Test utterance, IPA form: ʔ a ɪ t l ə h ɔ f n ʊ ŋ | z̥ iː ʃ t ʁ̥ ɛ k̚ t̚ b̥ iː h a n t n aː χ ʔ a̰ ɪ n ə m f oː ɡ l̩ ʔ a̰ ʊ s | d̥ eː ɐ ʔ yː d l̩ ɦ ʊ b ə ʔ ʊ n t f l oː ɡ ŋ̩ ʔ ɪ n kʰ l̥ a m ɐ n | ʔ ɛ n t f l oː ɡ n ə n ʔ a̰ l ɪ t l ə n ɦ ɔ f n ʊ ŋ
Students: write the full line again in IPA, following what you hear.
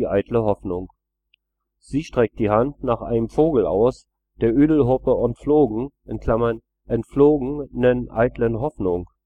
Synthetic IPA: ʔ a ɪ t l ə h ɔ f n ʊ ŋ | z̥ iː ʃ t ʁ̥ ɛ k̚ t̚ d̥ iː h a n t n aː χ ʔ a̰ ɪ n ə m f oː ɡ l̩ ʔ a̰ ʊ s | d̥ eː ɐ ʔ yː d l̩ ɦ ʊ p ə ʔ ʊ n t f l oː ɡ ŋ̩ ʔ ɪ n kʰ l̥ a m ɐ n | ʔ ɛ n t f l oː ɡ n ə n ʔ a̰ ɪ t l ə n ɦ ɔ f n ʊ ŋ

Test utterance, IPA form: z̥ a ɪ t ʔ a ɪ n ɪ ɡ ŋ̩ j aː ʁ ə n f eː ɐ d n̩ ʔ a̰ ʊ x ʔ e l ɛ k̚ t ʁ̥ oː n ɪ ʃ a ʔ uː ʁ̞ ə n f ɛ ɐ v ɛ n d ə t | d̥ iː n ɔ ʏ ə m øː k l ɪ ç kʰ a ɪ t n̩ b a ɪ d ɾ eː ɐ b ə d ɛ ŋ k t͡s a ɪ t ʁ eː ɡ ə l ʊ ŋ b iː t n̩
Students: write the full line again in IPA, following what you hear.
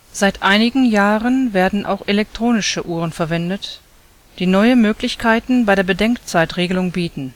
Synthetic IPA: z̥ a ɪ t ʔ a ɪ n ɪ ɡ ŋ̩ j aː ʁ ə n v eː ɐ d n̩ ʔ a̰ ʊ x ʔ e l ɛ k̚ t ʁ̥ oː n ɪ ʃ ə ʔ uː ʁ̞ ə n f ɛ ɐ v ɛ n d ə t | d̥ iː n ɔ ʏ ə m øː k l ɪ ç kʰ a ɪ t n̩ b a ɪ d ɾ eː ɐ b ə d ɛ ŋ k t͡s a ɪ t ʁ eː ɡ ə l ʊ ŋ b iː t n̩

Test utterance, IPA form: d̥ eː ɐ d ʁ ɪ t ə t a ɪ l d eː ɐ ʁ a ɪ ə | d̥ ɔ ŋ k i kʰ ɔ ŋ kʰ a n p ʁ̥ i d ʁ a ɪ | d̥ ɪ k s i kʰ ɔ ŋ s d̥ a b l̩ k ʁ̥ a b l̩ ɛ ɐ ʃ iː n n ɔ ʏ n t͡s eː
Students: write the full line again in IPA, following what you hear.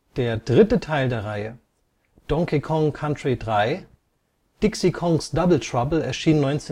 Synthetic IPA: d̥ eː ɐ d ʁ ɪ t ə tʰ a ɪ l d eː ɐ ʁ a ɪ ə | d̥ ɔ ŋ k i kʰ ɔ ŋ kʰ a n t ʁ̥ i d ʁ a ɪ | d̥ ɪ k s i kʰ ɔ ŋ s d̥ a b l̩ t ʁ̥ a b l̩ ɛ ɐ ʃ iː n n ɔ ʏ n t͡s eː

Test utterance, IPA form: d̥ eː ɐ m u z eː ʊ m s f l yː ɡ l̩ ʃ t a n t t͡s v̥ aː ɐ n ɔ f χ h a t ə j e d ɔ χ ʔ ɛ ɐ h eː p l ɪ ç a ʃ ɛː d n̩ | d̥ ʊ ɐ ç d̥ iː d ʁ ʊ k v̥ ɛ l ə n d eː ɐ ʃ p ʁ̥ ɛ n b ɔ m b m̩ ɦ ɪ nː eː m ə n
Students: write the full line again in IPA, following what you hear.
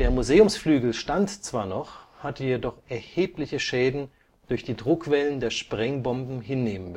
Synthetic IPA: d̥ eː ɐ m u z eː ʊ m s f l yː ɡ l̩ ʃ t a n t t͡s v̥ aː ɐ n ɔ χ h a t ə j e d ɔ χ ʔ ɛ ɐ h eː p l ɪ ç ə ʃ ɛː d n̩ | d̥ ʊ ɐ ç d̥ iː d ʁ ʊ k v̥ ɛ l ə n d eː ɐ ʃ p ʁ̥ ɛ ŋ b ɔ m b m̩ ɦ ɪ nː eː m ə n

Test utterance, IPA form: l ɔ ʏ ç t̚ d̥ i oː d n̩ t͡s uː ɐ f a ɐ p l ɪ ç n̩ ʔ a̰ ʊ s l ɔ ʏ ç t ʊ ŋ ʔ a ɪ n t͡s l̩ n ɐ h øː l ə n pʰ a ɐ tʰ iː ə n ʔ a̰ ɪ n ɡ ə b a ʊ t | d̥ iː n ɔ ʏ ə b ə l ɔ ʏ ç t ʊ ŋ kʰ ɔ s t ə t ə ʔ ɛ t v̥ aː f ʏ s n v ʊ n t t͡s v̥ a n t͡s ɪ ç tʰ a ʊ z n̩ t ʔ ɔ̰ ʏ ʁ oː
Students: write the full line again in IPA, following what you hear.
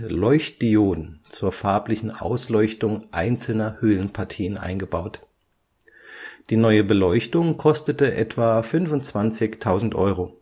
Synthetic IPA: l ɔ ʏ ç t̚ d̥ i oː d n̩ t͡s uː ɐ f a ɐ p l ɪ ç n̩ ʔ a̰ ʊ s l ɔ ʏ ç t ʊ ŋ ʔ a ɪ n t͡s l̩ n ɐ h øː l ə n pʰ a ɐ tʰ iː ə n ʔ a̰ ɪ n ɡ ə b a ʊ t | d̥ iː n ɔ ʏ ə b ə l ɔ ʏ ç t ʊ ŋ kʰ ɔ s t ə t ə ʔ ɛ t v̥ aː f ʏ n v ʊ n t t͡s v̥ a n t͡s ɪ ç tʰ a ʊ z n̩ t ʔ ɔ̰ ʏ ʁ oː

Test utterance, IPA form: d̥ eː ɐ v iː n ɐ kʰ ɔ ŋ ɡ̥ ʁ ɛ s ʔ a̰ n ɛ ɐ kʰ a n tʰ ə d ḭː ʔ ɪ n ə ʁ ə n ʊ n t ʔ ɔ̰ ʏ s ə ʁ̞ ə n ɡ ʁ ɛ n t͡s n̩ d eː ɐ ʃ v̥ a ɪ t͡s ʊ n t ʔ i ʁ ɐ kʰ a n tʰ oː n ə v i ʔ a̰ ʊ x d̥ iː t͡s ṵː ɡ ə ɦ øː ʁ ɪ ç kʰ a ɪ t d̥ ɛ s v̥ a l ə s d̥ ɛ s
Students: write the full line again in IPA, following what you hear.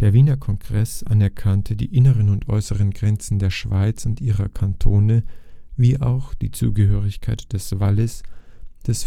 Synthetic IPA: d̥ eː ɐ v iː n ɐ kʰ ɔ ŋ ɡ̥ ʁ ɛ s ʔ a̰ n ɛ ɐ kʰ a n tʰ ə d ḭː ʔ ɪ n ə ʁ ə n ʊ n t ʔ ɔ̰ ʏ s ə ʁ̞ ə n ɡ ʁ ɛ n t͡s n̩ d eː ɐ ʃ v̥ a ɪ t͡s ʊ n t ʔ iː ʁ ɐ kʰ a n tʰ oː n ə v iː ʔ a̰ ʊ x d̥ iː t͡s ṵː ɡ ə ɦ øː ʁ ɪ ç kʰ a ɪ t d̥ ɛ s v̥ a l ə s d̥ ɛ s

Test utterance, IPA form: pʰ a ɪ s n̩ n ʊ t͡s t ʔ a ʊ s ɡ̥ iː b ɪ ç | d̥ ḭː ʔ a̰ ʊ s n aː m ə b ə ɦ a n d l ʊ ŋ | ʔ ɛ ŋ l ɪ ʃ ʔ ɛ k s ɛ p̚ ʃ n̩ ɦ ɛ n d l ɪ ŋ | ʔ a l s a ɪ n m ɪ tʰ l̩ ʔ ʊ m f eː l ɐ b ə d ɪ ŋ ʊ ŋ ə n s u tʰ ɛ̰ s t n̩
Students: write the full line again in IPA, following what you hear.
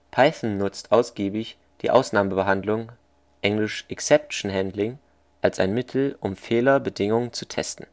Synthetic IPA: pʰ a ɪ θ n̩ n ʊ t͡s t ʔ a ʊ s ɡ̥ iː b ɪ ç | d̥ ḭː ʔ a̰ ʊ s n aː m ə b ə ɦ a n d l ʊ ŋ | ʔ ɛ ŋ l ɪ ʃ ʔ ɛ k s ɛ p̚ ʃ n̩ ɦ ɛ n d l ɪ ŋ | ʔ a l s a ɪ n m ɪ tʰ l̩ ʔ ʊ m f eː l ɐ b ə d ɪ ŋ ʊ ŋ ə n t͡s u tʰ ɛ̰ s t n̩

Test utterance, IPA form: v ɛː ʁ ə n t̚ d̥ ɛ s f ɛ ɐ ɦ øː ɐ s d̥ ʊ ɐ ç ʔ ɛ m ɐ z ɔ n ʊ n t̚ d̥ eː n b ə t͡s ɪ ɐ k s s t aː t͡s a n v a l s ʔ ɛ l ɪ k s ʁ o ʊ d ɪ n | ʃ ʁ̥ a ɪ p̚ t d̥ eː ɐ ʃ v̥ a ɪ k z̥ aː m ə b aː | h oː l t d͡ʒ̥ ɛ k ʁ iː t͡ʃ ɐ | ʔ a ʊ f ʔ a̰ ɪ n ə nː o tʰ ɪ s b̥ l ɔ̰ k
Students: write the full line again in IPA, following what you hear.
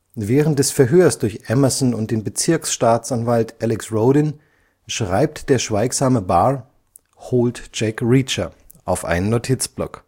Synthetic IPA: v ɛː ʁ ə n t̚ d̥ ɛ s f ɛ ɐ ɦ øː ɐ s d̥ ʊ ɐ ç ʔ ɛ m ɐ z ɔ n ʊ n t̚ d̥ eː n b ə t͡s ɪ ɐ k s ʃ t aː t͡s a n v a l t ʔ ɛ l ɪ k s ʁ o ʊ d ɪ n | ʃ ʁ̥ a ɪ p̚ t d̥ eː ɐ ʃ v̥ a ɪ k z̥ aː m ə b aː | h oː l t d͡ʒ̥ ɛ k ʁ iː t͡ʃ ɐ | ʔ a ʊ f ʔ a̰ ɪ n ə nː o tʰ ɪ t͡s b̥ l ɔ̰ k

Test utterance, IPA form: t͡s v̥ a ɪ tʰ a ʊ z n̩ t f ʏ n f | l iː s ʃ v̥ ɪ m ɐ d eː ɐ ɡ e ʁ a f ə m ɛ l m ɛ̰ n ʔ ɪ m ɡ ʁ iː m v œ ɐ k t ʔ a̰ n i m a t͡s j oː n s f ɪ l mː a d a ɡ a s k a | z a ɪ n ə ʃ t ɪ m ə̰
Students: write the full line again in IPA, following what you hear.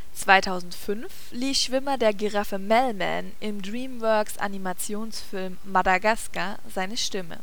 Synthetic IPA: t͡s v̥ a ɪ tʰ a ʊ z n̩ t f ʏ n f | l iː s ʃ v̥ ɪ m ɐ d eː ɐ ɡ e ʁ a f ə m ɛ l m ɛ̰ n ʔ ɪ m d ʁ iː m v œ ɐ k s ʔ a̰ n i m a t͡s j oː n s f ɪ l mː a d a ɡ a s k a | z a ɪ n ə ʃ t ɪ m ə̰

